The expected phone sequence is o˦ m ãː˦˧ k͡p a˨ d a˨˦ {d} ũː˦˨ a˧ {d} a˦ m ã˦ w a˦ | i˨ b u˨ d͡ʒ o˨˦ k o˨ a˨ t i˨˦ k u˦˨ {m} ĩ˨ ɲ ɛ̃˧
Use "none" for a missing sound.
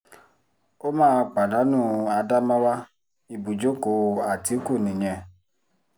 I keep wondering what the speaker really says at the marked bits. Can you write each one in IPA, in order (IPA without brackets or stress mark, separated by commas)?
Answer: n, d, n